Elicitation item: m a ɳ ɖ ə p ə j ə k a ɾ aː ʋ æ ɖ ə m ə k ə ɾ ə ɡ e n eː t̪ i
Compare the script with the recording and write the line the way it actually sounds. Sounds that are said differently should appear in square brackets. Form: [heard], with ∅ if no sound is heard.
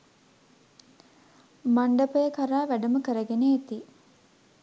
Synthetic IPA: m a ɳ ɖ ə p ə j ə k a ɾ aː ʋ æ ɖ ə m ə k ə ɾ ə ɡ e n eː t̪ i